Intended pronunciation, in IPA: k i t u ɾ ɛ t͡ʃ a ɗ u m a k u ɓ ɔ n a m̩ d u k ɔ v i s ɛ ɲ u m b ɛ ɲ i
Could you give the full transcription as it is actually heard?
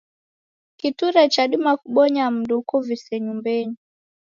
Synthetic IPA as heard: k i t u ɾ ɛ t͡ʃ a ɗ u m a k u ɓ ɔ ɲ a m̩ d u k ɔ v i s ɛ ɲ u m b ɛ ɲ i